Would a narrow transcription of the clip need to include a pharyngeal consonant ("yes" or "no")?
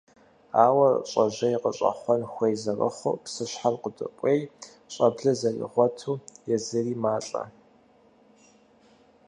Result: yes